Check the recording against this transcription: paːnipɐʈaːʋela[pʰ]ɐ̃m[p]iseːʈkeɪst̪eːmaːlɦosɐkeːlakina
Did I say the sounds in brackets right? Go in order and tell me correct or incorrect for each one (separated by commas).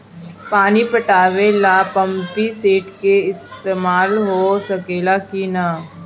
incorrect, correct